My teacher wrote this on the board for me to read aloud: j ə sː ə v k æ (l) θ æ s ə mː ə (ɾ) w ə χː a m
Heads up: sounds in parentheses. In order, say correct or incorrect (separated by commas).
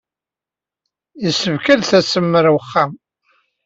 correct, correct